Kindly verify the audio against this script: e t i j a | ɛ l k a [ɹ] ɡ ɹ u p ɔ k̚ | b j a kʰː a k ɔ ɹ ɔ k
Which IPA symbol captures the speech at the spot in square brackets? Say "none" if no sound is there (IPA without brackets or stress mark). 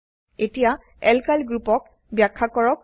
l